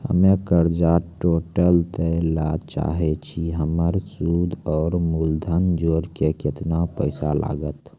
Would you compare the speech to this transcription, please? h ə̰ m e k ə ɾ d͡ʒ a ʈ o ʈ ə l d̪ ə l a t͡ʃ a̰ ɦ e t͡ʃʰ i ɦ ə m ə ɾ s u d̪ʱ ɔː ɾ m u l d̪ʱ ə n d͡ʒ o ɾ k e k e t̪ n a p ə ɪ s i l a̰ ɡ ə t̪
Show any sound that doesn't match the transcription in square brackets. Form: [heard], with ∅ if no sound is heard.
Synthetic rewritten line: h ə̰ m e k ə ɾ d͡ʒ a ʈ o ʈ ə l [t̪] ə l a t͡ʃ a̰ ɦ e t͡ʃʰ i ɦ ə m ə ɾ s u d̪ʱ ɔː ɾ m u l d̪ʱ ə n d͡ʒ o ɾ k e k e t̪ n a p ə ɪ s [a] l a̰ ɡ ə t̪

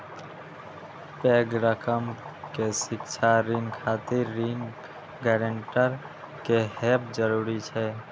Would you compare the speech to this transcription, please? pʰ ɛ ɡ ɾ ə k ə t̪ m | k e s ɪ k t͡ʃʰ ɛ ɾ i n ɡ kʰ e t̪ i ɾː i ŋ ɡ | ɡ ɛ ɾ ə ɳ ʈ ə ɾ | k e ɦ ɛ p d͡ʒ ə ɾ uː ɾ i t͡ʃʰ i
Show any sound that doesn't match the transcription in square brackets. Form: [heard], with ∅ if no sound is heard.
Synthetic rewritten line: [p] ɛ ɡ ɾ ə k ə [∅] m | k e s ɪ k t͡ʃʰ [a] ɾ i [ŋ] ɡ kʰ [a] t̪ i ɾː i ŋ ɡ | ɡ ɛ ɾ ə ɳ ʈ ə ɾ | k e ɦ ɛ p d͡ʒ ə ɾ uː ɾ i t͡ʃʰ [ɛ]

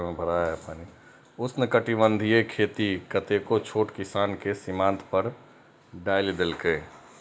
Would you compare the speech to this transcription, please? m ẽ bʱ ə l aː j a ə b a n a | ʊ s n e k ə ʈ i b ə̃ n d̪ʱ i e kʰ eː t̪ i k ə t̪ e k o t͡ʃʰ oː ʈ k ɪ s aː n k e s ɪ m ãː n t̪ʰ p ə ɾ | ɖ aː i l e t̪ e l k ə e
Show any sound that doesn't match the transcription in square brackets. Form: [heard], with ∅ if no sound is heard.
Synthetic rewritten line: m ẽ bʱ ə [ɾ] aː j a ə [p] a n [i] | ʊ s n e k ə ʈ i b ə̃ n d̪ʱ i e kʰ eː t̪ i k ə t̪ e k o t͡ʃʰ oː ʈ k ɪ s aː n k e s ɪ m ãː n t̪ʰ p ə ɾ | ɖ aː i l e [d̪] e l k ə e

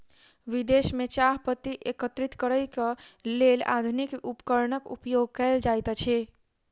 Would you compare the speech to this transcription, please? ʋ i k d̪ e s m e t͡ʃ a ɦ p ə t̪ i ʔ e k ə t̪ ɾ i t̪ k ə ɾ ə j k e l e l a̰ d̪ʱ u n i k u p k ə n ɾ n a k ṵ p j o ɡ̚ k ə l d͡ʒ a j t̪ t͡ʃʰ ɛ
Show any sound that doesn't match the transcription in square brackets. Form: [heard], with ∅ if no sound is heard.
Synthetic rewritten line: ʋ i [∅] d̪ e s m e t͡ʃ a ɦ p ə t̪ i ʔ e k ə t̪ ɾ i t̪ k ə ɾ ə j k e l e l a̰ d̪ʱ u n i k u p k ə [∅] ɾ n [ə] k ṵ p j o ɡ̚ k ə l d͡ʒ a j t̪ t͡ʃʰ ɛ

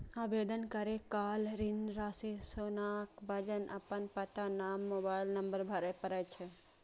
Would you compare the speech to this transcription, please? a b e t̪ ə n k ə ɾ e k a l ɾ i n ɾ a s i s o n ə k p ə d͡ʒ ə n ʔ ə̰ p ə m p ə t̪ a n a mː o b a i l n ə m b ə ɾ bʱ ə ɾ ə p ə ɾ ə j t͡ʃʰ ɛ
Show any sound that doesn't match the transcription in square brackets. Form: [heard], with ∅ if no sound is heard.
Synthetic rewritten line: a b e [d̪] ə n k ə ɾ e k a l ɾ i n ɾ a s i s o n [a] k [b] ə d͡ʒ ə n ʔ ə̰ p ə [n] p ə t̪ a n a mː o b a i l n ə m b ə ɾ bʱ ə ɾ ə p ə ɾ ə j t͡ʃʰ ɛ

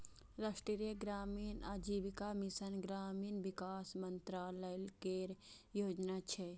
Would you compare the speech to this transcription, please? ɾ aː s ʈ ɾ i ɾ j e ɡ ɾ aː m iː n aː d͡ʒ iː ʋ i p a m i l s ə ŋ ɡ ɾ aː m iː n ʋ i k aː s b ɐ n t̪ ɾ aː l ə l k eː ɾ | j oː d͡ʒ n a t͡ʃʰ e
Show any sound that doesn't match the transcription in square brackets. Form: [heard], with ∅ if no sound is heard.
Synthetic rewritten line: ɾ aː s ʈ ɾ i ɾ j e ɡ ɾ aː m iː n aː d͡ʒ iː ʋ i [k] a m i [∅] s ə [n] ɡ ɾ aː m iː n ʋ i k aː s [m] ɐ n t̪ ɾ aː l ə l k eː ɾ | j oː d͡ʒ n a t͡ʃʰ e

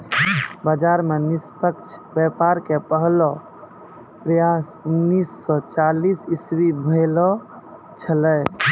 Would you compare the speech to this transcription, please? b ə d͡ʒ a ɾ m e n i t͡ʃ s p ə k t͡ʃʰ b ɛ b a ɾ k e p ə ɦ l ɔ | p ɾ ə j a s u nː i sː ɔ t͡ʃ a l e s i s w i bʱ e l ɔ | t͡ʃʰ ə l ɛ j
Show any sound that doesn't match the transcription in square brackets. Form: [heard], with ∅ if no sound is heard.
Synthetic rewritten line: b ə d͡ʒ a ɾ m e n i [∅] s p ə k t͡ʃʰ b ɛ [p] a ɾ k e p ə ɦ l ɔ | p ɾ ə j a s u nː i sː ɔ t͡ʃ a l [i] s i s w i bʱ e l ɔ | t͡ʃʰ ə l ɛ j

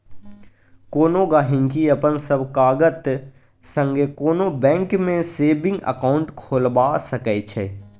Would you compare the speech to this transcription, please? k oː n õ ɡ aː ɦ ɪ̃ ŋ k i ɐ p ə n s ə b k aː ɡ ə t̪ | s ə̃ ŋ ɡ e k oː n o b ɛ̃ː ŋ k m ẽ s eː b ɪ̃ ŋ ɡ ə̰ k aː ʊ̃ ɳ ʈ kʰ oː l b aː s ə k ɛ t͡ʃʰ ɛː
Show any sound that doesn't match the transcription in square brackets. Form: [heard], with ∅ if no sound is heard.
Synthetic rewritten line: k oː n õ ɡ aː ɦ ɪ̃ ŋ k i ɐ p ə n s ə b k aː ɡ ə t̪ | s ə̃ ŋ ɡ e k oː n o b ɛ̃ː ŋ k m ẽ s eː b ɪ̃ ŋ ɡ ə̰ k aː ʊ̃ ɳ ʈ kʰ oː l b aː s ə k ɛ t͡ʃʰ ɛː

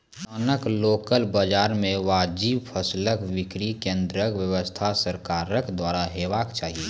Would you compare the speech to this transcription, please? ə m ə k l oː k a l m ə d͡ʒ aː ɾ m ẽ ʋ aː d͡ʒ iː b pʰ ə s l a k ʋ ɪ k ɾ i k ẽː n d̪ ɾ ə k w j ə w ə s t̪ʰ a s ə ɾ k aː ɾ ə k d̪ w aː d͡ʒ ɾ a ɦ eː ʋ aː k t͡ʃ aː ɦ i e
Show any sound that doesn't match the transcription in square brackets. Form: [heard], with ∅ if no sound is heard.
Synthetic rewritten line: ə [n] ə k l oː k [ə] l [b] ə d͡ʒ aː ɾ m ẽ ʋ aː d͡ʒ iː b pʰ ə s l [ə] k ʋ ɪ k ɾ i k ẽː n d̪ ɾ ə k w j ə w ə s t̪ʰ a s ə ɾ k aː ɾ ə k d̪ w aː [∅] ɾ a ɦ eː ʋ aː k t͡ʃ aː ɦ i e

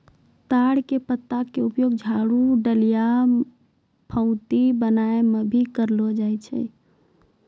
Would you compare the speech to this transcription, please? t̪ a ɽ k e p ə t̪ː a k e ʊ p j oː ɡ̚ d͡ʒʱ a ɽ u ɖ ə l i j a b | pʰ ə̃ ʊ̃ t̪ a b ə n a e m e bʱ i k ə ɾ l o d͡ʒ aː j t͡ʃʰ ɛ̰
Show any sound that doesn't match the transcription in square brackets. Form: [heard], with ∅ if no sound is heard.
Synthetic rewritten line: t̪ a ɽ k e p ə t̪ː a k e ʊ p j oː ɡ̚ d͡ʒʱ a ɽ u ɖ ə l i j a [∅] | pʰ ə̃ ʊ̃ t̪ [i] b ə n a e m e bʱ i k ə ɾ l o d͡ʒ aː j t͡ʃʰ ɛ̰

